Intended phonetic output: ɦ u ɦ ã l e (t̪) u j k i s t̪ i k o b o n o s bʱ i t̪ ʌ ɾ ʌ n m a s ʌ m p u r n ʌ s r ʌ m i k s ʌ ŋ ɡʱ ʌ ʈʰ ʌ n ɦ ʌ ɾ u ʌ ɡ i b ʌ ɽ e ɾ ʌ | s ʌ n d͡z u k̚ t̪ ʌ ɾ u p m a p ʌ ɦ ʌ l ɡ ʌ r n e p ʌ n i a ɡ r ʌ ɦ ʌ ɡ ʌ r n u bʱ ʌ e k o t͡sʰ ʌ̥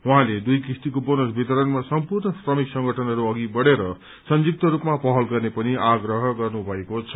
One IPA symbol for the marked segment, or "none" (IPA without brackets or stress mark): d̪